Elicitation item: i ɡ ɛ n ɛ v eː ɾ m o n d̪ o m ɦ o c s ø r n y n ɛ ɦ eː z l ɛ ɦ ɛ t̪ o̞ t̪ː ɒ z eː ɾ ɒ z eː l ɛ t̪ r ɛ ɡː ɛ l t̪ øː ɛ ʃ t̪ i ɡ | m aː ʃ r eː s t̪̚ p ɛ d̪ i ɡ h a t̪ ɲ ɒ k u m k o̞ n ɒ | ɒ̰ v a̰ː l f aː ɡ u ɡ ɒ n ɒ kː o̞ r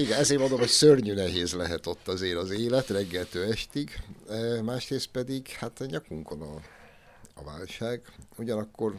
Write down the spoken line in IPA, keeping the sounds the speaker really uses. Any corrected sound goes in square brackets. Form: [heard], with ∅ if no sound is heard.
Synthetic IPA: i ɡ ɛ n ɛ [z] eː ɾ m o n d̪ o m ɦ o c s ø r [ɲ] y n ɛ ɦ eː z l ɛ ɦ ɛ t̪ o̞ t̪ː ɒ z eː ɾ ɒ z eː l ɛ t̪ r ɛ ɡː ɛ l t̪ øː ɛ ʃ t̪ i ɡ | m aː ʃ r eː s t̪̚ p ɛ d̪ i ɡ h a t̪ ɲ ɒ k u [ŋ] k o̞ n ɒ | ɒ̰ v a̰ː l [ʃ] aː ɡ u [ɟ] ɒ n ɒ kː o̞ r